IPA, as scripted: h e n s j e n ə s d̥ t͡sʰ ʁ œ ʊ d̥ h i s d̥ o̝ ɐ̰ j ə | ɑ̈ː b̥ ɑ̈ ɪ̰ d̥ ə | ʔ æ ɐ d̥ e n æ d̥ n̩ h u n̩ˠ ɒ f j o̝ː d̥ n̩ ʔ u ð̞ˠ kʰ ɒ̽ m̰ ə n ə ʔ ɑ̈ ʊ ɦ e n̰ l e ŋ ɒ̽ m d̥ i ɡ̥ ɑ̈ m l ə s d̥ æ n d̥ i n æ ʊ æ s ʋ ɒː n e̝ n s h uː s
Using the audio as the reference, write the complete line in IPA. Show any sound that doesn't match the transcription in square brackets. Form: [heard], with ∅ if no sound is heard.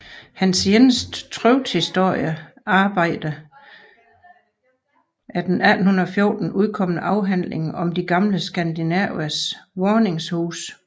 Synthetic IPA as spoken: h [æ] n s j e n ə s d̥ t͡sʰ ʁ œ ʊ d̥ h i s d̥ o̝ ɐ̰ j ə | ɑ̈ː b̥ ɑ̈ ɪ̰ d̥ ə | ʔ æ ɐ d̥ e n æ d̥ n̩ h u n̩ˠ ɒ f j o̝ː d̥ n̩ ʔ u ð̞ˠ kʰ ɒ̽ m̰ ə n ə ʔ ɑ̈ ʊ ɦ [æ] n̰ l e ŋ ɒ̽ m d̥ i ɡ̥ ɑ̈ m l ə s [ɡ̥] æ n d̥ i n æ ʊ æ s ʋ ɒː n e̝ [ŋ] s h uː s